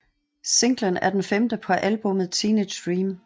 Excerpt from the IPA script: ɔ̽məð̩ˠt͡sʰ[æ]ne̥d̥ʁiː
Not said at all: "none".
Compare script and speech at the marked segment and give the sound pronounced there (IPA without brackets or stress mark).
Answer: i